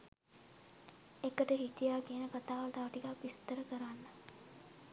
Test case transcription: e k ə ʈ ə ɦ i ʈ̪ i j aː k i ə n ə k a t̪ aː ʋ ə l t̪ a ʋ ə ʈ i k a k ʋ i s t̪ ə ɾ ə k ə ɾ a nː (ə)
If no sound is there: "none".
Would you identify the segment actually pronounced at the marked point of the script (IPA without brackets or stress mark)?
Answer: ə